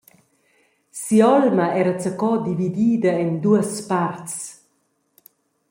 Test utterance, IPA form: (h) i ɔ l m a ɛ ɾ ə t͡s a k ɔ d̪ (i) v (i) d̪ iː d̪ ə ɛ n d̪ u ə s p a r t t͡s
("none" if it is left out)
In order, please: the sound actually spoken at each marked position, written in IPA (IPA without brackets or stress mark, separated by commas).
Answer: s, i, i